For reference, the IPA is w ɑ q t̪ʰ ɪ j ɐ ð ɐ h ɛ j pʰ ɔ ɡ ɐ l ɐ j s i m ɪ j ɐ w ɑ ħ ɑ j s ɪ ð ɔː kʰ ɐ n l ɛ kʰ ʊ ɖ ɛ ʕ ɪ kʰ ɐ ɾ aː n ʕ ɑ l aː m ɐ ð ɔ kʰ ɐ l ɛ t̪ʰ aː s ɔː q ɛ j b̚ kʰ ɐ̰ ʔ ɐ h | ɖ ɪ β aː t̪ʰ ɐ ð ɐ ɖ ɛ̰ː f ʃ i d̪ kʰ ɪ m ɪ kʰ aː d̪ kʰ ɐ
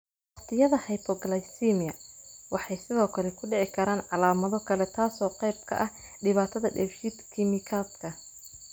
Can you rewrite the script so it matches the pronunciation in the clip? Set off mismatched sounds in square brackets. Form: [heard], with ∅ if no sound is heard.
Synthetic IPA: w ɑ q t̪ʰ ɪ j ɐ ð ɐ h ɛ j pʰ ɔ ɡ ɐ l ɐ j s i m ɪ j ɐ w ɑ ħ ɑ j s ɪ ð ɔː kʰ ɐ [∅] l ɛ kʰ ʊ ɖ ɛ ʕ ɪ kʰ ɐ ɾ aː n ʕ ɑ l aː m ɐ ð ɔ kʰ ɐ l ɛ t̪ʰ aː s ɔː q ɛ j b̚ kʰ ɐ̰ ʔ ɐ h | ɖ ɪ β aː t̪ʰ ɐ ð ɐ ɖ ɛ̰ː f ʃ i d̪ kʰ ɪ m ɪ kʰ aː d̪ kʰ ɐ